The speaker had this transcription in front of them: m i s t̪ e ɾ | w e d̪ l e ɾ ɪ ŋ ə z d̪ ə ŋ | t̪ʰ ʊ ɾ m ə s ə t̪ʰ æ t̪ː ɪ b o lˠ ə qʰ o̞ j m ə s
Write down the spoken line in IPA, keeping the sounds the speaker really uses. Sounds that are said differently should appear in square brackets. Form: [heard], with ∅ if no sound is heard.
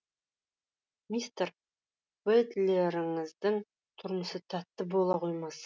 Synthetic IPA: m i s t̪ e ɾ | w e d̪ l e ɾ ɪ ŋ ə z d̪ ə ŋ | t̪ʰ ʊ ɾ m ə s ə t̪ʰ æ t̪ː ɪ b o lˠ [ɑ] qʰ o̞ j m [ɑ] s